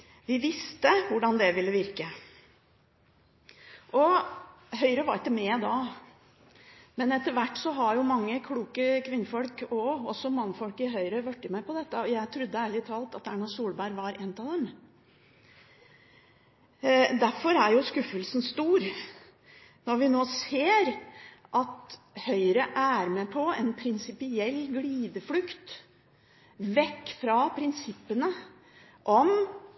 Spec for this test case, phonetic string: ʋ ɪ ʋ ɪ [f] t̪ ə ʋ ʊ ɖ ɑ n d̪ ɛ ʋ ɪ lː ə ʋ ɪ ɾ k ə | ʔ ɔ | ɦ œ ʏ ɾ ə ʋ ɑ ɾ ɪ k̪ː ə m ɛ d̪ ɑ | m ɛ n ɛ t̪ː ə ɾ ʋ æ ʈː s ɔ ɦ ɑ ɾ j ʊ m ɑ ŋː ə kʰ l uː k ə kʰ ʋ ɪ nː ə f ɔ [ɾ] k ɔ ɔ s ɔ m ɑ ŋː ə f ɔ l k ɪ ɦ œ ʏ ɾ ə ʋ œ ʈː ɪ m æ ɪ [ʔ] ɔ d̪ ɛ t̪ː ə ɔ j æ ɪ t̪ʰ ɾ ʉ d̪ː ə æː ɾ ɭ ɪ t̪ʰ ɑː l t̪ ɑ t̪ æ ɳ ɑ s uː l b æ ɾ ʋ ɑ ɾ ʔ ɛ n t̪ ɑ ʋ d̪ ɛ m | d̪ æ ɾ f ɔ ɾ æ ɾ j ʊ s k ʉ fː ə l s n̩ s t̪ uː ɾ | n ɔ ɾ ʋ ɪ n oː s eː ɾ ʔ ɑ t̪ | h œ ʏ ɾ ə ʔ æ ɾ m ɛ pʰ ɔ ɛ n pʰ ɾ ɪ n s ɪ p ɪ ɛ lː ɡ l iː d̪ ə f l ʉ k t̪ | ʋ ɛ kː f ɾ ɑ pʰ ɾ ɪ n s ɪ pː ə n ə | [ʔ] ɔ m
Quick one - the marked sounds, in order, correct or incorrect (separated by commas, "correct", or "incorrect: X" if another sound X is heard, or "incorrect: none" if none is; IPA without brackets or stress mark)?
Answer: incorrect: s, incorrect: l, incorrect: p, correct